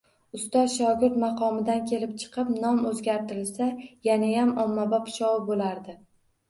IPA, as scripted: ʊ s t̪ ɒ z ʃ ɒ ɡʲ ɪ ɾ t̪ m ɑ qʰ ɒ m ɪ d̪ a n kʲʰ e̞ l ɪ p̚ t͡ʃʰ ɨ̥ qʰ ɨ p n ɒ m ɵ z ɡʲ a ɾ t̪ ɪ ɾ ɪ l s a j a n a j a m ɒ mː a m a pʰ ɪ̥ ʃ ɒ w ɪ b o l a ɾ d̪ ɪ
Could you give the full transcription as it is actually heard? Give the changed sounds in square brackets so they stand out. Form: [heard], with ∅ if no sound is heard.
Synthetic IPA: ʊ s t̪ ɒ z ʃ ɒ ɡʲ ɪ ɾ t̪ m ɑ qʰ ɒ m ɪ d̪ a n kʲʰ e̞ l ɪ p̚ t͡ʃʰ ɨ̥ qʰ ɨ p n ɒ m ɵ z ɡʲ a ɾ t̪ ɪ ɾ ɪ l s a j a n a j a m ɒ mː a [b] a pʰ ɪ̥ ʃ ɒ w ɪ b o l a ɾ d̪ ɪ